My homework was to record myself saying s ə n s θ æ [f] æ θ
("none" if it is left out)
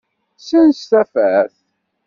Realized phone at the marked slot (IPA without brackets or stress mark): f